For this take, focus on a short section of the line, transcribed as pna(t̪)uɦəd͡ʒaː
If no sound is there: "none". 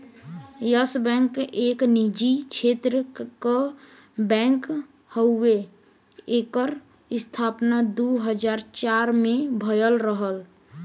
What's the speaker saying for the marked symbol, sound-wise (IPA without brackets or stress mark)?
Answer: d̪